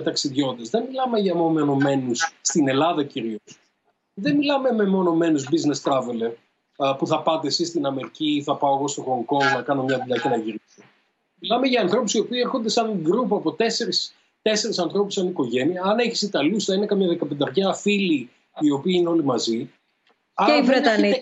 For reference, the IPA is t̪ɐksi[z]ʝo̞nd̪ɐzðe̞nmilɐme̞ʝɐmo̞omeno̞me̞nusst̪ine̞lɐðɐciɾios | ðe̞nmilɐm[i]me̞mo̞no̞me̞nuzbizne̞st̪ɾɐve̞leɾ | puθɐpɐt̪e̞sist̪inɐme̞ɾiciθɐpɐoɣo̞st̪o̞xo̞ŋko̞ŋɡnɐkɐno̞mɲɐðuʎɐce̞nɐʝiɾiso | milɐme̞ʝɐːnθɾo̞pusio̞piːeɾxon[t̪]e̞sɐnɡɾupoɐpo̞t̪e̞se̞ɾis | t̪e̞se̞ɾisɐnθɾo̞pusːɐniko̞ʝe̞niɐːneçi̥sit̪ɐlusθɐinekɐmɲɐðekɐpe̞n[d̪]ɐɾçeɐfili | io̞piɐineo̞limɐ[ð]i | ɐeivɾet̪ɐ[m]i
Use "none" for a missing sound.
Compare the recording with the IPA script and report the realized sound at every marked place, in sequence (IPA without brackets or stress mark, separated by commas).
ð, e, d̪, d̪, z, n